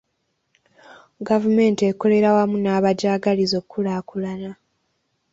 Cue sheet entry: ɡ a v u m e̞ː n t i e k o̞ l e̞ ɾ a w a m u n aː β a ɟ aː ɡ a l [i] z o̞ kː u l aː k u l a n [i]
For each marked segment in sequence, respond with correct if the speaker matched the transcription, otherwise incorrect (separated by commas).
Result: correct, incorrect